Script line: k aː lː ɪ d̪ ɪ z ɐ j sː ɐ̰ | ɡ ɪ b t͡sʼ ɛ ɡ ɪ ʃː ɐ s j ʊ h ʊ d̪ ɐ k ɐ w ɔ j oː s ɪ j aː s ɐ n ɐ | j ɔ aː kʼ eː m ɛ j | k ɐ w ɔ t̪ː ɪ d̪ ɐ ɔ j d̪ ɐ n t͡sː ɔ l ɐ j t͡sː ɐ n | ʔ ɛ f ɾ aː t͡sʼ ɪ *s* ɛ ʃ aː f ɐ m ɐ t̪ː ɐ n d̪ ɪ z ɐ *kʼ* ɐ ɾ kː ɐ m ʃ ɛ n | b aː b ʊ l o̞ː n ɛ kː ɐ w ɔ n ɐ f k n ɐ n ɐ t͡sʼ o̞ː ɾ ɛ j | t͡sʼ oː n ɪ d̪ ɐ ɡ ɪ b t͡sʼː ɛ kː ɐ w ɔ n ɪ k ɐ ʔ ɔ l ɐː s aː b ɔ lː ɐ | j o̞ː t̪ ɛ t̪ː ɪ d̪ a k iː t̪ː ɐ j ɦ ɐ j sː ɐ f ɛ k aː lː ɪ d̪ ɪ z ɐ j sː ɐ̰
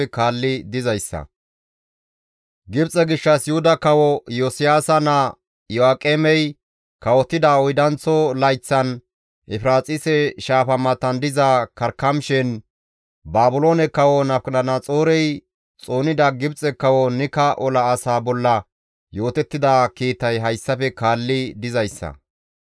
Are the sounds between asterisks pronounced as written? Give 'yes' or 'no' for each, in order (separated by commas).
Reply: yes, no